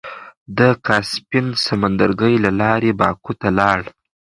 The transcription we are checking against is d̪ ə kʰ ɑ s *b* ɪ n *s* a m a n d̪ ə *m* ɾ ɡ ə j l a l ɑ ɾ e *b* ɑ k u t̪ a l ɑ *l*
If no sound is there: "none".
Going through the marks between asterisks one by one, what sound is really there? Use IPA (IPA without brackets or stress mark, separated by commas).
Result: p, s, none, b, ɽ